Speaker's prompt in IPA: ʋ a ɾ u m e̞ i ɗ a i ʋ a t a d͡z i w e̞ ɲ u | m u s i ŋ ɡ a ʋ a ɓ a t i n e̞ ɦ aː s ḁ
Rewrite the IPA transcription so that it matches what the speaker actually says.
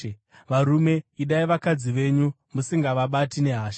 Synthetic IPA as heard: ʋ a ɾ u m e̞ i ɗ a i ʋ a k a d͡z i ʋ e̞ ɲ u | m u s i ŋ ɡ a ʋ a ɓ a t i n e̞ ɦ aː ʃ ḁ

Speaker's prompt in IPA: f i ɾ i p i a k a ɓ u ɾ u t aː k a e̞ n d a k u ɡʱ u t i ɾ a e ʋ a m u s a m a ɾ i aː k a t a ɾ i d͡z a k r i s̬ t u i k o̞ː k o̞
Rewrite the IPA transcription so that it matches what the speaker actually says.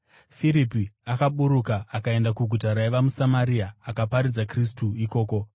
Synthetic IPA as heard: f i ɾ i p i a k a ɓ u ɾ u k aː k a e̞ n d a k u ɡʱ u t a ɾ a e ʋ a m u s a m a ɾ i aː k a p a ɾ i d͡z a k r i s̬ t u i k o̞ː k o̞

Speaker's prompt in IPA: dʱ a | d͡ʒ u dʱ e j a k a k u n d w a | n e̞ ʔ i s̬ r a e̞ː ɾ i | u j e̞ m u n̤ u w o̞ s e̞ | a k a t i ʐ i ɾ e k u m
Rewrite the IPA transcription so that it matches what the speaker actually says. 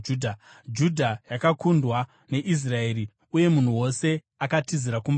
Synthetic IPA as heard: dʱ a | d͡ʒ u dʱ a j a k a k u n d w a | n e̞ ʔ i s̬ r a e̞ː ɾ i | u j e̞ m u n̤ u w o̞ s e̞ | a k a t i z i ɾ a k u m

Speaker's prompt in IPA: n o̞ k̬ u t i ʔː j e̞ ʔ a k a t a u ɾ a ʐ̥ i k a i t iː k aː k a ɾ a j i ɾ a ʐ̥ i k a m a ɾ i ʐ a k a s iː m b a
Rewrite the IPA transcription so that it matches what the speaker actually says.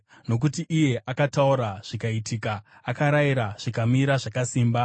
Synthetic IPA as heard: n o̞ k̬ u t i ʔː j e̞ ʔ a k a t a u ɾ a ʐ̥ i k a i t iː k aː k a ɾ a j i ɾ a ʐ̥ i k a m i ɾ a ʐ a k a s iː m b a

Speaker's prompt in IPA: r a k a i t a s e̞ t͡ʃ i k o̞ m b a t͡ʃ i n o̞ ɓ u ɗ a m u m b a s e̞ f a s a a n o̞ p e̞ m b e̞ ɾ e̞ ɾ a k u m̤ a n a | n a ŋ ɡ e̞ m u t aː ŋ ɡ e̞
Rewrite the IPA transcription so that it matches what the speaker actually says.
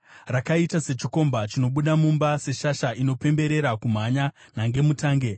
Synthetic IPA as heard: r a k a i t a s e̞ t͡ʃ i k o̞ m b a t͡ʃ i n o̞ ɓ u ɗ a m u m b a s e̞ ʃ a ʃ a i n o̞ p e̞ m b e̞ ɾ e̞ ɾ a k u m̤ a ɲ a | n a ŋ ɡ e̞ m u t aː ŋ ɡ e̞

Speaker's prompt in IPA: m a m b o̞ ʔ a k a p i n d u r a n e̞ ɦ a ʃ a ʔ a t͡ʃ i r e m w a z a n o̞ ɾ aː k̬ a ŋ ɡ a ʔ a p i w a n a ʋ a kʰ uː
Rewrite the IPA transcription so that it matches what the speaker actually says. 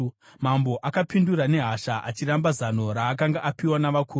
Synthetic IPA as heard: m a m b o̞ ʔ a k a p i n d u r a n e̞ ɦ a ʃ a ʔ a t͡ʃ i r a m b a z a n o̞ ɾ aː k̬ a ŋ ɡ a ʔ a p i w a n a ʋ a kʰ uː

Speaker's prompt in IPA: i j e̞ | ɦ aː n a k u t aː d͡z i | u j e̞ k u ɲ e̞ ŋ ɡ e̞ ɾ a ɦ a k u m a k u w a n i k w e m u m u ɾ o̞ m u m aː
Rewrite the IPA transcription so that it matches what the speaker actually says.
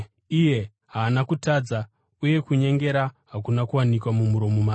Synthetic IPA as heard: i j e̞ | ɦ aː n a k u t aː d͡z a | u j e̞ k u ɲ e̞ ŋ ɡ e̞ ɾ a ɦ a k u n a k u w a n i k w a m u m u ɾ o̞ m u m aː

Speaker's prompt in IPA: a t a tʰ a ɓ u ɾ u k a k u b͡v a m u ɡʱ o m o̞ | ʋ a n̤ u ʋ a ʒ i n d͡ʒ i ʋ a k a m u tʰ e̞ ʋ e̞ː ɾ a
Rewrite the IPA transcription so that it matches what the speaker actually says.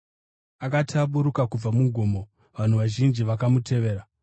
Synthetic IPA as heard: a k a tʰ a ɓ u ɾ u k a k u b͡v a m u ɡʱ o m o̞ | ʋ a n̤ u ʋ a ʒ i n d͡ʒ i ʋ a k a m u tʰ e̞ ʋ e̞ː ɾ a

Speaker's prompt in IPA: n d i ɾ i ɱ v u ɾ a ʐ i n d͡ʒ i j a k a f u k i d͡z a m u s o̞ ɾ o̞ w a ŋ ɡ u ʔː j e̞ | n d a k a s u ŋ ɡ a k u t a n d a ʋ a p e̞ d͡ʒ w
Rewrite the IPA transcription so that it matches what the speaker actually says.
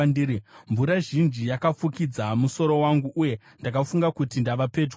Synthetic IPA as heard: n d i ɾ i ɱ v u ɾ a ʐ i n d͡ʒ i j a k a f u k i d͡z a m u s o̞ ɾ o̞ w a ŋ ɡ u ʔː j e̞ | n d a k a f u ŋ ɡ a k u t i n d a ʋ a p e̞ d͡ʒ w

